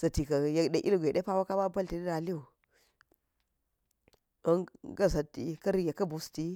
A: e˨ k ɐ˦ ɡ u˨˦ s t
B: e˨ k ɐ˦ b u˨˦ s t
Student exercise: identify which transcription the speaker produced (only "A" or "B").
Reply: B